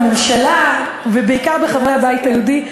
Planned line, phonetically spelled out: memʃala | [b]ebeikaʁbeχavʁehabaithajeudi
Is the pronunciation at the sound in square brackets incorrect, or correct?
incorrect